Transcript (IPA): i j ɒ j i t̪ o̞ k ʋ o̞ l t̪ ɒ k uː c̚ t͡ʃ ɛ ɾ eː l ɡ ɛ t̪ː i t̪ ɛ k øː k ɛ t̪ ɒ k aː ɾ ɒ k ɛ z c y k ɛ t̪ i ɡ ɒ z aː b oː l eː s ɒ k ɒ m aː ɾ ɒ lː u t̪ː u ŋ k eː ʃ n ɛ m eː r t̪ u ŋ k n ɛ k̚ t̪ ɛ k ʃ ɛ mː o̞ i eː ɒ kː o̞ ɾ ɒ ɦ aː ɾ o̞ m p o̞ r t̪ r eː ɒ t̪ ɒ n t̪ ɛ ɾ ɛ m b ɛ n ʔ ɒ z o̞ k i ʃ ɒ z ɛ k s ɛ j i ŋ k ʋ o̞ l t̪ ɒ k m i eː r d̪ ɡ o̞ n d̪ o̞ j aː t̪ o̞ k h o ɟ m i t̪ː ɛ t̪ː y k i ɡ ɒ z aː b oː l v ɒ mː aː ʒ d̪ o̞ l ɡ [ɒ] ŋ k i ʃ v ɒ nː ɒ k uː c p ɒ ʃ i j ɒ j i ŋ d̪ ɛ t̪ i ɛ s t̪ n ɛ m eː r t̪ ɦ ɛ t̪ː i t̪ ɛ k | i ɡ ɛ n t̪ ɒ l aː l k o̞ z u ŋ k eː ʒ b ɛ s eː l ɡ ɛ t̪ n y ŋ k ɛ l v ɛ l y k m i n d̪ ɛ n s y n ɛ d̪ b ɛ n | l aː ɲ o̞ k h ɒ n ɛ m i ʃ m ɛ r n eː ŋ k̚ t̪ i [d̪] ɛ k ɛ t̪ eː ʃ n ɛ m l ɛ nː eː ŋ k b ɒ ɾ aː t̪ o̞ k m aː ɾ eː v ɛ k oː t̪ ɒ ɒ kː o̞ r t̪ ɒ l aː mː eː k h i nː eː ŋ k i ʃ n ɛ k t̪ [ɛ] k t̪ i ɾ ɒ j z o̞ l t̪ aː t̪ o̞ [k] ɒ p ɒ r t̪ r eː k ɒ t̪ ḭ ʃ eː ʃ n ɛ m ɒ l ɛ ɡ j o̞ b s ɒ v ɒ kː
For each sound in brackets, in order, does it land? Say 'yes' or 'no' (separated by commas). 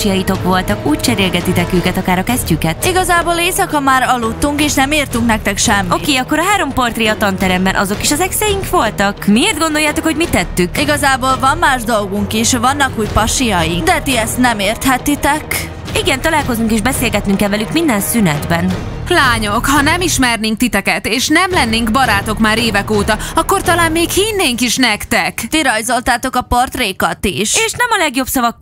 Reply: no, no, yes, yes